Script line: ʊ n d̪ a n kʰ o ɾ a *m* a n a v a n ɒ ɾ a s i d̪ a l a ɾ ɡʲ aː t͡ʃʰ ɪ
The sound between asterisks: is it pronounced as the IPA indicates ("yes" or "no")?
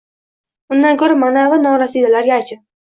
yes